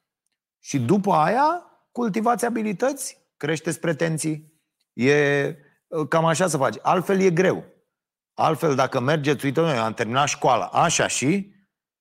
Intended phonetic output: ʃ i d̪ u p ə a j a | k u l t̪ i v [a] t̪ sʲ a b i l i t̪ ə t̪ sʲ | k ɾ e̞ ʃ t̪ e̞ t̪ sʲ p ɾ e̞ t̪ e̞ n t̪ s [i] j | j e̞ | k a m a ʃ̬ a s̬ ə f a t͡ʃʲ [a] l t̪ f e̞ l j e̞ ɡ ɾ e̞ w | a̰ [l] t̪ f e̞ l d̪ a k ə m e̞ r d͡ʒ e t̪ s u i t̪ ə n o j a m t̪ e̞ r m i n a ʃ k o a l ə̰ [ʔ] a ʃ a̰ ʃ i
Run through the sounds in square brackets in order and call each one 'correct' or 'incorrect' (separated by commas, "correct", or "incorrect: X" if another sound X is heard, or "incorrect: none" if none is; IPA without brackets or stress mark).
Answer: correct, correct, correct, correct, correct